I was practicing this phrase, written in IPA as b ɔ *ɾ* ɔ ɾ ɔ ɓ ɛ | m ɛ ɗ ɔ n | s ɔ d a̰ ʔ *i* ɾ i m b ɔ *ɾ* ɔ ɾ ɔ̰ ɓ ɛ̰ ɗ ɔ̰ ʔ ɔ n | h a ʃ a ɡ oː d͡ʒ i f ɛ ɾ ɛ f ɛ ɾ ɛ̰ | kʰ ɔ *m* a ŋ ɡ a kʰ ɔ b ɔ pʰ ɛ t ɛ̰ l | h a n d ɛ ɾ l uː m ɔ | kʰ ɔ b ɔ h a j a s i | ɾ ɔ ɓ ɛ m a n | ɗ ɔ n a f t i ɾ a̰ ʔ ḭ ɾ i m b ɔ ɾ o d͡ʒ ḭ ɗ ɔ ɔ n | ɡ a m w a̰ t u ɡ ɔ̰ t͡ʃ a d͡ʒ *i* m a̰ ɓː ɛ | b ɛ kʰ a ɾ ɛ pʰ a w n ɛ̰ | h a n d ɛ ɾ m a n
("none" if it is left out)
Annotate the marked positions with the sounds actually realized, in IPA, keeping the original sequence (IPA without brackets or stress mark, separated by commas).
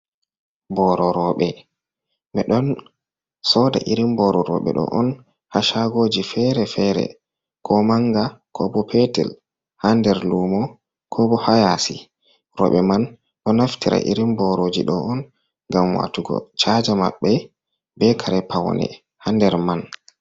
ɾ, i, ɾ, m, a